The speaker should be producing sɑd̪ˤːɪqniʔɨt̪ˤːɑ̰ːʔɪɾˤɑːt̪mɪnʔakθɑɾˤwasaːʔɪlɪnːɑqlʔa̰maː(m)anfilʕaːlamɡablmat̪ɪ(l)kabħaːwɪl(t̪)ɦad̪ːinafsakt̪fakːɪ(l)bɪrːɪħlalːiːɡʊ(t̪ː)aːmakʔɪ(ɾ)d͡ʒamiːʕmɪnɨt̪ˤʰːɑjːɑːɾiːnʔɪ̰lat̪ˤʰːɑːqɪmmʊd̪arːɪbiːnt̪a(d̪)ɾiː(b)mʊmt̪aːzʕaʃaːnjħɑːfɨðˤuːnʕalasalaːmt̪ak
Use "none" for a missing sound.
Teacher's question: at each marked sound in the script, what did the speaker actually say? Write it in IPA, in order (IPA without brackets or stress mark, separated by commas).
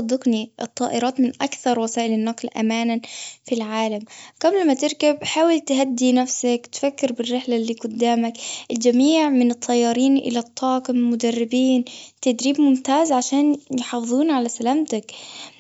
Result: n, ɾ, t̪, ɾ, d̪ː, l, d̪, b